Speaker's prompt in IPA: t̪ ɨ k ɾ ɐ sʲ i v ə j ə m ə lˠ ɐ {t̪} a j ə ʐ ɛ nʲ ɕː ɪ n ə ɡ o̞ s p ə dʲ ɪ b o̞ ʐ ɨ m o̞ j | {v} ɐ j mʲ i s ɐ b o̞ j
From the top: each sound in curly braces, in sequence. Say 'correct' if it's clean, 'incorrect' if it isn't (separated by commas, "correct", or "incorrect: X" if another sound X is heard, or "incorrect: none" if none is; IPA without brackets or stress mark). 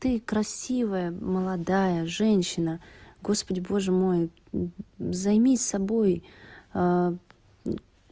incorrect: d̪, incorrect: z